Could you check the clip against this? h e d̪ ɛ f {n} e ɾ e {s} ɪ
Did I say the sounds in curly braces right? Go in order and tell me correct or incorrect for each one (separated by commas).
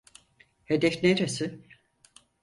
correct, correct